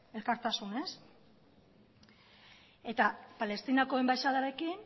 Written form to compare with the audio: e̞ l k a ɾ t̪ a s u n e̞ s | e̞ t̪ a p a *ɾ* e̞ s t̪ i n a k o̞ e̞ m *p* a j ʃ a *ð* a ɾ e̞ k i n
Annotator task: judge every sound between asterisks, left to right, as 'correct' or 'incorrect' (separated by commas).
incorrect, incorrect, correct